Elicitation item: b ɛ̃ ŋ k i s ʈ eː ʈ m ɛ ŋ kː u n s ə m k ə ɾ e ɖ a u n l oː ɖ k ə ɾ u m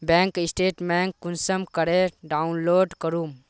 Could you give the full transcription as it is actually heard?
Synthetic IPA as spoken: b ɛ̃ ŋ k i s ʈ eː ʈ m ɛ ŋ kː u n s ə m k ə ɾ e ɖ a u n l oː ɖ k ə ɾ u m